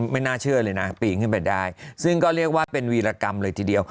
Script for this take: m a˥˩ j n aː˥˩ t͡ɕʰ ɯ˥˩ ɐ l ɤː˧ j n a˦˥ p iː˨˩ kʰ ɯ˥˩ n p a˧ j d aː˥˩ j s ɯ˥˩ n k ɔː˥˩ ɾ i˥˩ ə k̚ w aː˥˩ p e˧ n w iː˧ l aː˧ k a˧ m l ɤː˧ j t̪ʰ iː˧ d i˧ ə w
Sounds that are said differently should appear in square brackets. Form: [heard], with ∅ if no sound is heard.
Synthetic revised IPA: m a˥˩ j n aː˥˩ t͡ɕʰ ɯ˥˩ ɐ l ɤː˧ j n a˦˥ p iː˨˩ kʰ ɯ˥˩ n p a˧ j d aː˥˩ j s ɯ˥˩ [ŋ] k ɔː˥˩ ɾ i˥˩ ə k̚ w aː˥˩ p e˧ n w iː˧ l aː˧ k a˧ m l ɤː˧ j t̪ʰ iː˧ d i˧ ə w

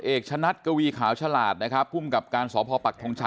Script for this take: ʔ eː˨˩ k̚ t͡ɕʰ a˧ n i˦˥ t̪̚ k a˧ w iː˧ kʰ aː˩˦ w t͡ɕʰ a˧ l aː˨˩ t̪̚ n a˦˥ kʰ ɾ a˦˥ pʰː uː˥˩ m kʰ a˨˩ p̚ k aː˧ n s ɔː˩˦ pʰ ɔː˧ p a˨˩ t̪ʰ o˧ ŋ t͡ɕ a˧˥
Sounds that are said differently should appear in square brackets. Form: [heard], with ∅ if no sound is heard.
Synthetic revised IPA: ʔ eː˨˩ k̚ t͡ɕʰ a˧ n [a˦˥] t̪̚ k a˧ w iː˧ kʰ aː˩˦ w t͡ɕʰ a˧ l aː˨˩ t̪̚ n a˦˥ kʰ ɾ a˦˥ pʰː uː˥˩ m [k] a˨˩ p̚ k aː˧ n s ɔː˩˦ pʰ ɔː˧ p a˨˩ t̪ʰ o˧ ŋ [t͡ɕʰ] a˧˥

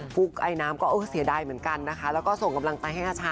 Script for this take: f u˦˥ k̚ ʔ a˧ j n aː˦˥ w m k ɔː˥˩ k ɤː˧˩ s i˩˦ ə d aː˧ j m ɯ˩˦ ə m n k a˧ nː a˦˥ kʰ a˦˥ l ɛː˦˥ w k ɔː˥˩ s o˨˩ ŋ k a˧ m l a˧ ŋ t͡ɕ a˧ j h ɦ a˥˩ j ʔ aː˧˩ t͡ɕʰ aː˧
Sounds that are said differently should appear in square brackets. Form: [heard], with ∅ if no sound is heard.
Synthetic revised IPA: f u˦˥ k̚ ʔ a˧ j n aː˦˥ [∅] m k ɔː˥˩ [ʔ] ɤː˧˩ s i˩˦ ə d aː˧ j m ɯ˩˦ ə [∅] n k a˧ nː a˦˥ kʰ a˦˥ l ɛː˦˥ w k ɔː˥˩ s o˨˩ ŋ k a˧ m l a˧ ŋ t͡ɕ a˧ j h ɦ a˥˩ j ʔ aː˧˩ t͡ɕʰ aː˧

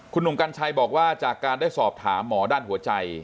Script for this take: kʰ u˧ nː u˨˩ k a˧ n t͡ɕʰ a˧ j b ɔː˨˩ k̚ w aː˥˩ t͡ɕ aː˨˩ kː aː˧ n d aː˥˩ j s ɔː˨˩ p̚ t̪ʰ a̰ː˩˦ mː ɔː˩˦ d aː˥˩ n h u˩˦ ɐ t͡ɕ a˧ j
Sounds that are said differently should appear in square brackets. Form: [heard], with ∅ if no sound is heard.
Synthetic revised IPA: kʰ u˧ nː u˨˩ k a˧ n t͡ɕʰ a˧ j b ɔː˨˩ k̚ w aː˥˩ t͡ɕ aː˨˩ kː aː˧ n d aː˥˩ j s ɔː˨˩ p̚ t̪ʰ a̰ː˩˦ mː ɔː˩˦ d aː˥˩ n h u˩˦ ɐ t͡ɕ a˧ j

